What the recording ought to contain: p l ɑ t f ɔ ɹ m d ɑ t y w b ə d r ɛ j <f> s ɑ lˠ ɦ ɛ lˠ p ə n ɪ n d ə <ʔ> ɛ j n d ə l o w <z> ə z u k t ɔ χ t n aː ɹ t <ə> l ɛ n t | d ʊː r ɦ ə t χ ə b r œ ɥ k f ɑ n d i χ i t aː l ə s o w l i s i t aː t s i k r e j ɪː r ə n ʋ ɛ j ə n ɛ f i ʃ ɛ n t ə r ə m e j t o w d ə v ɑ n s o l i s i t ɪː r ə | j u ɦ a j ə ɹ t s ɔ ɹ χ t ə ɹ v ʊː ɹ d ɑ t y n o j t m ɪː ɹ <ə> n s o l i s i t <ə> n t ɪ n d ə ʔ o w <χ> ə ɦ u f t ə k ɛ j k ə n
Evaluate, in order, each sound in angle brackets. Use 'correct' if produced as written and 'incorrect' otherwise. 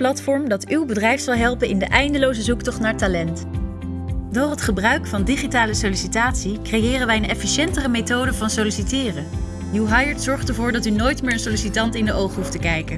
correct, correct, correct, incorrect, correct, incorrect, correct

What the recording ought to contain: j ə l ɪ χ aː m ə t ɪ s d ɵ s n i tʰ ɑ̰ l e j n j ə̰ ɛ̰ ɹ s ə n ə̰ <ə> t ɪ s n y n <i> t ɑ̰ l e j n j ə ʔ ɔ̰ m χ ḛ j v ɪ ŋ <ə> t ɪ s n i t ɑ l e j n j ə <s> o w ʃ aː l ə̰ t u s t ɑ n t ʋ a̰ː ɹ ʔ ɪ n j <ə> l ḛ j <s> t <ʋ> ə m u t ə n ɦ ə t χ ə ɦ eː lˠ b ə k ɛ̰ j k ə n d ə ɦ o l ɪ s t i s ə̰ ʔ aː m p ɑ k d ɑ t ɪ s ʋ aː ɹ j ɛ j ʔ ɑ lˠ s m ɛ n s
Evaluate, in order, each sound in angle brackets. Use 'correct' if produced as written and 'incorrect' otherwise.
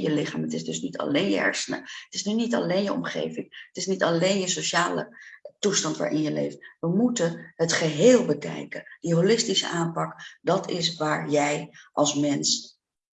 correct, correct, correct, correct, correct, incorrect, correct

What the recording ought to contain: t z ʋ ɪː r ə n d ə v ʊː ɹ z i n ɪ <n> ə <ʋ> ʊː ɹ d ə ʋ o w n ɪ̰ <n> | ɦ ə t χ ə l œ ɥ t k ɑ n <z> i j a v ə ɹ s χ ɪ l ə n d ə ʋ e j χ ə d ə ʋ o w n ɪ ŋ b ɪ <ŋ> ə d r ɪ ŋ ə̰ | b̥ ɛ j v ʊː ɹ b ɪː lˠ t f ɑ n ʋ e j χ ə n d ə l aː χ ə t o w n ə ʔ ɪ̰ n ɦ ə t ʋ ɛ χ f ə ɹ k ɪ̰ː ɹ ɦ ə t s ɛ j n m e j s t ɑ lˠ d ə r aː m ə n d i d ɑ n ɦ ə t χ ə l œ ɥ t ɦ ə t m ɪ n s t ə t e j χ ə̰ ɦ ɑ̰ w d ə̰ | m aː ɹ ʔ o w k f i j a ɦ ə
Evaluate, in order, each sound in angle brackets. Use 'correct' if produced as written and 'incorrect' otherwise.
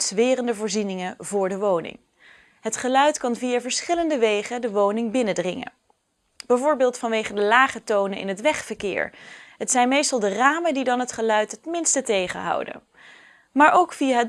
incorrect, incorrect, incorrect, incorrect, incorrect

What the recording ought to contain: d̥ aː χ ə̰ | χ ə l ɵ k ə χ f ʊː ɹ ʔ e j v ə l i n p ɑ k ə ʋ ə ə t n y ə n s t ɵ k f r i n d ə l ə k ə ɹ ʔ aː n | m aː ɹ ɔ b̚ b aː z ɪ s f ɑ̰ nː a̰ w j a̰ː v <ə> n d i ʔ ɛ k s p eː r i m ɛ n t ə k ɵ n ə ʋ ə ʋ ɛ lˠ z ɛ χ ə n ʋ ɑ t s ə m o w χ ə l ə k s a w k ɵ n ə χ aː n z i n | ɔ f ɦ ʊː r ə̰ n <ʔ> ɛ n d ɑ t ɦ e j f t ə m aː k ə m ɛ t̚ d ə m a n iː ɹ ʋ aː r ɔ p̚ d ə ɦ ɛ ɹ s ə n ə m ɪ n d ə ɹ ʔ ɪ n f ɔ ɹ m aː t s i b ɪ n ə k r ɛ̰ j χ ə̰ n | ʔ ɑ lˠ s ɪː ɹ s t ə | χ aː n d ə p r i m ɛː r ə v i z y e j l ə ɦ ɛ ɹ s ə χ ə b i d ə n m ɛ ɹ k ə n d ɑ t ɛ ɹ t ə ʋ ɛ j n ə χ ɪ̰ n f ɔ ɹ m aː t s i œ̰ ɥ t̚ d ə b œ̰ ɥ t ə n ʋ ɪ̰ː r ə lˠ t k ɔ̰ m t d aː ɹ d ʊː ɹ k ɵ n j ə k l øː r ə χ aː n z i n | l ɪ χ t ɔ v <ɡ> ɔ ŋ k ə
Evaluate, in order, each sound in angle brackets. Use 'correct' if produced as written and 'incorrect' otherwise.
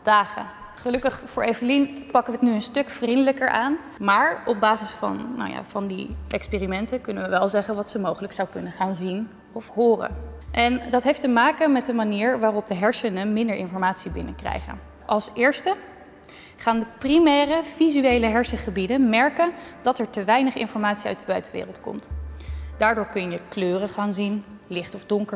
incorrect, correct, incorrect

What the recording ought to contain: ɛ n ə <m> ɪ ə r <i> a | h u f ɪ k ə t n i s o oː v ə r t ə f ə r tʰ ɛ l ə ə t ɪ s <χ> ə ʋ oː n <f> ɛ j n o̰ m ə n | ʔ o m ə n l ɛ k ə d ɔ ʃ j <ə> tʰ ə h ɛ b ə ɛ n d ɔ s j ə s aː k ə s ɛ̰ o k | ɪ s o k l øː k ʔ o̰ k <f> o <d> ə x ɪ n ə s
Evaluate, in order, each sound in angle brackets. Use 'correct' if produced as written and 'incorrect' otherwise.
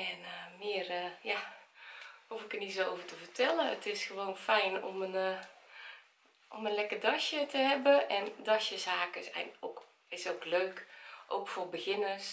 correct, incorrect, incorrect, correct, correct, correct, incorrect

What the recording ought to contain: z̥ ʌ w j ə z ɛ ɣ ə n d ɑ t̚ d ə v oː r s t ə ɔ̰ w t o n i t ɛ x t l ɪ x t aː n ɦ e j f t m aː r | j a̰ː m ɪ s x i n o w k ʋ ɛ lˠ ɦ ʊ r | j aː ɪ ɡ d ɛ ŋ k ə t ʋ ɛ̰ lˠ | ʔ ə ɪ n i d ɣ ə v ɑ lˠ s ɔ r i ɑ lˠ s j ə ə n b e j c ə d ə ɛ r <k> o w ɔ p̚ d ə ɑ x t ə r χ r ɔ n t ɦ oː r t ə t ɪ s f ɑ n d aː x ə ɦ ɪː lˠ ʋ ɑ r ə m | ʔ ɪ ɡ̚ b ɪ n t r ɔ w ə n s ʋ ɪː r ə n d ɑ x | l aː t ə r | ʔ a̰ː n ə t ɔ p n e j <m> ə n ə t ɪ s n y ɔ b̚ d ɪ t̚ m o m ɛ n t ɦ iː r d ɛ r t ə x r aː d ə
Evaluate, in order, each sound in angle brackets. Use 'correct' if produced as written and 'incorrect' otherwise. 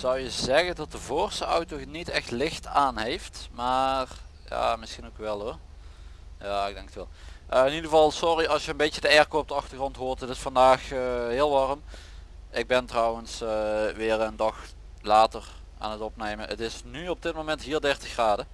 correct, correct

